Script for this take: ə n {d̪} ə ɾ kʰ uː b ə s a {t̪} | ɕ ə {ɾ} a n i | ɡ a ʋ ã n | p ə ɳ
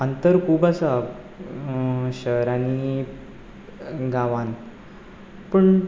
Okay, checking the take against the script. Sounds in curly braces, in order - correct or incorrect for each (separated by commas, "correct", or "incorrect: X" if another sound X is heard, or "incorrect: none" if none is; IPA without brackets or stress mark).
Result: incorrect: t̪, incorrect: none, correct